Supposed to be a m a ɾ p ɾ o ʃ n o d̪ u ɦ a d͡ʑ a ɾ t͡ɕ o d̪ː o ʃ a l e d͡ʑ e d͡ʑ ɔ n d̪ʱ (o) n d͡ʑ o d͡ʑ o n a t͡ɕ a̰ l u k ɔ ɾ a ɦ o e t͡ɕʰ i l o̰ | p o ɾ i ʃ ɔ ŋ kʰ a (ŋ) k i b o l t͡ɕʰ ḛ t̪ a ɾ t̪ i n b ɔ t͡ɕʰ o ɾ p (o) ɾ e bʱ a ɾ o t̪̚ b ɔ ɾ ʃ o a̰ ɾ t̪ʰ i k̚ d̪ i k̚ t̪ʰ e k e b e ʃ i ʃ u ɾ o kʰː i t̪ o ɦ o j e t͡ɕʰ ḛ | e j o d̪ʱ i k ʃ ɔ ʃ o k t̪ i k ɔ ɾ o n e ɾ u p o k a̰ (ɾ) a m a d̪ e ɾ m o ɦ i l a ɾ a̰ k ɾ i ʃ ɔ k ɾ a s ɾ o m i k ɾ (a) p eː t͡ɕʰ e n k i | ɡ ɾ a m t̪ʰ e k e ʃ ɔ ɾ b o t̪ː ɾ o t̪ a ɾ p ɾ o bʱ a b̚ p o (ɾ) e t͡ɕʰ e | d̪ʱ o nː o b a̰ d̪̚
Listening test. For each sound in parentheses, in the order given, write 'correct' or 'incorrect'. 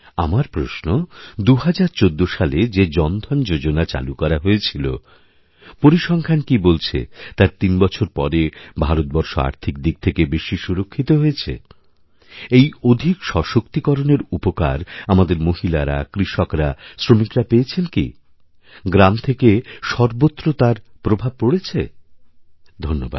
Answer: incorrect, incorrect, incorrect, correct, correct, incorrect

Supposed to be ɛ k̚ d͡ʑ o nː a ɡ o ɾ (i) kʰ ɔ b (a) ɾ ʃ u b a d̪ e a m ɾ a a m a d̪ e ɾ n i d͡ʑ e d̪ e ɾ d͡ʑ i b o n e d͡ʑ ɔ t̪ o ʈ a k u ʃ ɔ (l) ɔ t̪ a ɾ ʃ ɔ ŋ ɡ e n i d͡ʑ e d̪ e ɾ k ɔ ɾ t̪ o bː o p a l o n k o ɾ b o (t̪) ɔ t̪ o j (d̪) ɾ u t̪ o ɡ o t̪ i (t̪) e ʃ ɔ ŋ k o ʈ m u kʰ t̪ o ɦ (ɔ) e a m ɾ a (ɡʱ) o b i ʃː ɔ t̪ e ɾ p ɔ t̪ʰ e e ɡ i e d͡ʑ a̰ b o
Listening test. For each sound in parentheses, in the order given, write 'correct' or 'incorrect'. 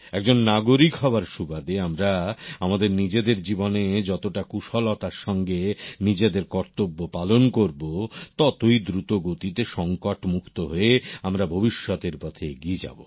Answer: correct, correct, correct, correct, correct, correct, incorrect, incorrect

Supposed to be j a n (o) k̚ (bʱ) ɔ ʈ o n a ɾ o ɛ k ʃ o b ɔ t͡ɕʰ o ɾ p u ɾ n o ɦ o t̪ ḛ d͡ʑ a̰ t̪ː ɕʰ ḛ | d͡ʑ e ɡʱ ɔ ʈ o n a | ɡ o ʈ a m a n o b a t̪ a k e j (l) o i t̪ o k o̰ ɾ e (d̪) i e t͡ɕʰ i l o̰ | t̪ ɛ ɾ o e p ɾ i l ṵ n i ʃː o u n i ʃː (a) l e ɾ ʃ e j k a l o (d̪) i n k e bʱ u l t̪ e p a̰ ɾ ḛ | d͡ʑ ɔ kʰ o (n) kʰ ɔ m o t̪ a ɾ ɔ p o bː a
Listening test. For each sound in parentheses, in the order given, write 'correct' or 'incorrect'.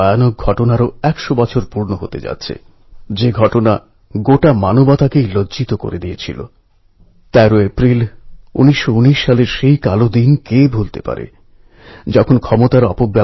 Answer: correct, incorrect, correct, correct, correct, correct, correct

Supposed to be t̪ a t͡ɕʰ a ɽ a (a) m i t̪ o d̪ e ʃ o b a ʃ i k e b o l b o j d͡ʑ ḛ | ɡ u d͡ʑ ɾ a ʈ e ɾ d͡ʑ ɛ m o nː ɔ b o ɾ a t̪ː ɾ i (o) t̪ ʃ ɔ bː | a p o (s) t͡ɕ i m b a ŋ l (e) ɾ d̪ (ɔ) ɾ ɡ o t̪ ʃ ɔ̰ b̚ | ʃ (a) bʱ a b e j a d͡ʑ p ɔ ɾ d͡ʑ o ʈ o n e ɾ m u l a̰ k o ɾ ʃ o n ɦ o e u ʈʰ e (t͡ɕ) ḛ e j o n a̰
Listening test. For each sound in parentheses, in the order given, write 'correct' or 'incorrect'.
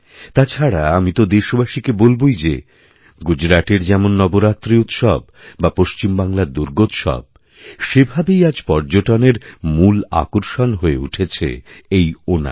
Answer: correct, incorrect, incorrect, incorrect, incorrect, incorrect, incorrect

